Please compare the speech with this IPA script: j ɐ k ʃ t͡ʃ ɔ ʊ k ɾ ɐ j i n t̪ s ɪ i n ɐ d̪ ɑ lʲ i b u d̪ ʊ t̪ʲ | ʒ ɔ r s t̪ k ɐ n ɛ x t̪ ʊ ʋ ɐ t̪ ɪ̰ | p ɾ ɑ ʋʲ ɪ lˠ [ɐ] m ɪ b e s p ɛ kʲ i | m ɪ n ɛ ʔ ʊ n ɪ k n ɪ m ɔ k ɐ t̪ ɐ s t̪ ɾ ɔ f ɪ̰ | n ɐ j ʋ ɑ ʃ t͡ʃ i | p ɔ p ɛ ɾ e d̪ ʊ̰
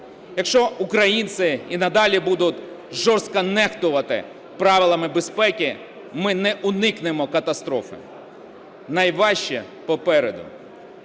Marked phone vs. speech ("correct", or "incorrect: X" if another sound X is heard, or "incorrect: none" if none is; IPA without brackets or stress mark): correct